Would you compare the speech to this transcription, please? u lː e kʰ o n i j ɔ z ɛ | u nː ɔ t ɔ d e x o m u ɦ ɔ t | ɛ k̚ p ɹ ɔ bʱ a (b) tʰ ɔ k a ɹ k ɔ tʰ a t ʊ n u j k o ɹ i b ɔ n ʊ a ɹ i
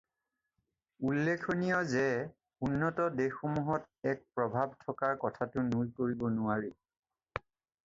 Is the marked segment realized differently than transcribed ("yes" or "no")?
no